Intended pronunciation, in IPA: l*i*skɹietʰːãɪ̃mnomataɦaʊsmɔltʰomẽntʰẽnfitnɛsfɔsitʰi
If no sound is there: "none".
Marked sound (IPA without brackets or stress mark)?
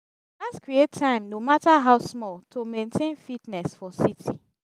a